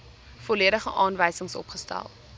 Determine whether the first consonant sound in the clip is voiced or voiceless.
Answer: voiceless